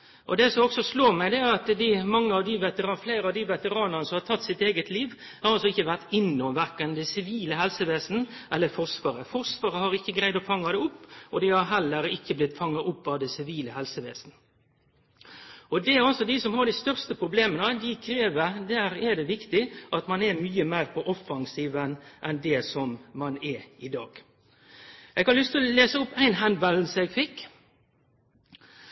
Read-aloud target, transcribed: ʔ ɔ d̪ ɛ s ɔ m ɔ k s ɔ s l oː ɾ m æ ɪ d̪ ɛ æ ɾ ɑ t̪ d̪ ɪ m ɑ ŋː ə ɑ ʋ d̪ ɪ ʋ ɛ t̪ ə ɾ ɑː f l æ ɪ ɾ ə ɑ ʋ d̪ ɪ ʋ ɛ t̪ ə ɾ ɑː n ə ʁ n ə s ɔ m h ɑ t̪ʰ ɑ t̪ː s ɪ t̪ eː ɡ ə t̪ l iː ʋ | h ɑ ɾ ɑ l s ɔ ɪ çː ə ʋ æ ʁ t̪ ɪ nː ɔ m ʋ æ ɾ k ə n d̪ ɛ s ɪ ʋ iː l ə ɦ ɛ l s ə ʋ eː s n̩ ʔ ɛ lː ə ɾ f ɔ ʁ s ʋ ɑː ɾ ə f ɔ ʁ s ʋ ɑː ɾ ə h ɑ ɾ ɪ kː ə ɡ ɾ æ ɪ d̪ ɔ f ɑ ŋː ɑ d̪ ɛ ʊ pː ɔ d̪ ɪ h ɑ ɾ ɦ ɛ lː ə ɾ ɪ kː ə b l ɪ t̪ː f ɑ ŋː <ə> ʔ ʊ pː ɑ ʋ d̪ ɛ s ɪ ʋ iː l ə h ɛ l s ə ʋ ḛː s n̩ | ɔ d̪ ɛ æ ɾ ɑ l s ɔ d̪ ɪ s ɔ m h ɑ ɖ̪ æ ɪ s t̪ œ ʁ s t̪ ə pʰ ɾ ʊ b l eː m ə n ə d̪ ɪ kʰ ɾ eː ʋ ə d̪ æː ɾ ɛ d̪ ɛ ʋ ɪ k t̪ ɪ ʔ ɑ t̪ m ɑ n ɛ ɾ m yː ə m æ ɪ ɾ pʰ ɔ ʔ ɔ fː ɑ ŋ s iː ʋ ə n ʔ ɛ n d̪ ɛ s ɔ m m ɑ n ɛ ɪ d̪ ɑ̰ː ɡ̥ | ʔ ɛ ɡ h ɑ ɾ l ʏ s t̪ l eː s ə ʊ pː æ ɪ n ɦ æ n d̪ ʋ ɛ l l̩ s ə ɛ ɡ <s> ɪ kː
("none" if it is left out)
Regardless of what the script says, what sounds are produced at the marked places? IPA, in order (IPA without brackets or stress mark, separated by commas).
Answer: ɑ, f